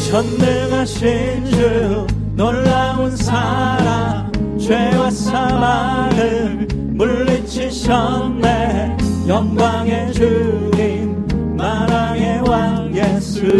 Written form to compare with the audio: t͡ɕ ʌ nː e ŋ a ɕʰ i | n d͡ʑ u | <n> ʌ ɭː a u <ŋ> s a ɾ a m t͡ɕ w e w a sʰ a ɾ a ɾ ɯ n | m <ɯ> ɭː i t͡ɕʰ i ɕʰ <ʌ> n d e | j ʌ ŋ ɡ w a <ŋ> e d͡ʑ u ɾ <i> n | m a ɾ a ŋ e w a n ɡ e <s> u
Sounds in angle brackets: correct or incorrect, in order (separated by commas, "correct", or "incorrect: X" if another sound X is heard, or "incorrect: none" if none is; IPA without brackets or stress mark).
correct, incorrect: n, incorrect: u, correct, correct, correct, correct